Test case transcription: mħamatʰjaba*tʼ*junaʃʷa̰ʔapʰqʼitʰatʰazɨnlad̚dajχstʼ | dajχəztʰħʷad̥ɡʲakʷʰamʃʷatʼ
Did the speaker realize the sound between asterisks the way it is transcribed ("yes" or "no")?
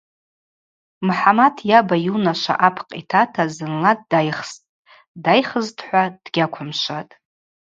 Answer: no